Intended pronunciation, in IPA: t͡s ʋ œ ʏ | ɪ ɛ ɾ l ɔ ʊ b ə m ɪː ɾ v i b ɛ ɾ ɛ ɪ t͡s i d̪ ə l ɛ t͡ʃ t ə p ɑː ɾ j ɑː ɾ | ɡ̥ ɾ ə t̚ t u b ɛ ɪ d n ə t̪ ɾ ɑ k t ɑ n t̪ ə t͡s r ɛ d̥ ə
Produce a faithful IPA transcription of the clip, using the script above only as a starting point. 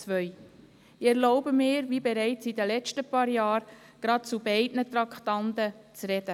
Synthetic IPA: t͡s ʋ œ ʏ | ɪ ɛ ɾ l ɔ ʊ b ə m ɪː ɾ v i b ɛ ɾ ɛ ɪ t͡s i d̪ ə l ɛ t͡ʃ t ə p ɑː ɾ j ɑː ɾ | ɡ̥ ɾ ɑ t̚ t͡s u b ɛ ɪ d n ə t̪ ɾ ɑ k t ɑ n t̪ ə t͡s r ɛ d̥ ə